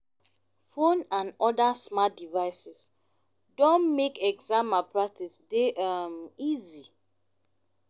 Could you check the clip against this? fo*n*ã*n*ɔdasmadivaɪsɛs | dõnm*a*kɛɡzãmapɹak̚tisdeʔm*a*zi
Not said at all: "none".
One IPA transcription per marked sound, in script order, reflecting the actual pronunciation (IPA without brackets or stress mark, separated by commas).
n, n, e, i